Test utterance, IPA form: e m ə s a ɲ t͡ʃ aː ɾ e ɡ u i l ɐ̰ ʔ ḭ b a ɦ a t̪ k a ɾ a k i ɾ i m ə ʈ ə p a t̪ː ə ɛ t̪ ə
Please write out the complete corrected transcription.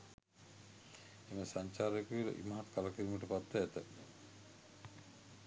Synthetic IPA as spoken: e m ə s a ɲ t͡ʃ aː ɾ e k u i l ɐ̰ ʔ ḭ m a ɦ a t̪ k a l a k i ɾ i m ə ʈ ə p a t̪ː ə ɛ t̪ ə